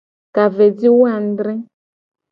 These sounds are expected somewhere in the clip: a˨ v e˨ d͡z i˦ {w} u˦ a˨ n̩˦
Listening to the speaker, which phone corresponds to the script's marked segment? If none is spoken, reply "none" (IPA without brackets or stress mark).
w